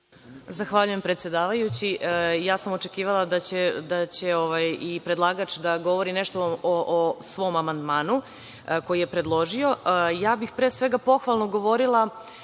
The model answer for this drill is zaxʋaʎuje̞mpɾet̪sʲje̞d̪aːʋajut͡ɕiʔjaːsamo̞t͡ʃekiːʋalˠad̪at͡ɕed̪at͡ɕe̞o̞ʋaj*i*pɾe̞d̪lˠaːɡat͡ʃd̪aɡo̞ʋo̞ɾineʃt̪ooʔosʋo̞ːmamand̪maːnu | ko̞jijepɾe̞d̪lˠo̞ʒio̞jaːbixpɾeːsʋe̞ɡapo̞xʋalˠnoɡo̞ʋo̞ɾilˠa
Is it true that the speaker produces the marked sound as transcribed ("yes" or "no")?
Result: yes